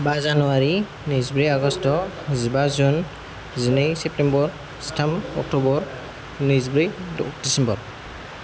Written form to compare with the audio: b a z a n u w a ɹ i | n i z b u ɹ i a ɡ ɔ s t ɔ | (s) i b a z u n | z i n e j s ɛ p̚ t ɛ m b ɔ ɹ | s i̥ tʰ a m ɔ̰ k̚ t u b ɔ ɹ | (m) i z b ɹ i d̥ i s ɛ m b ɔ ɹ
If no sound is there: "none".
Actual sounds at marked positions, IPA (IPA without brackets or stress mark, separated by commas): z, n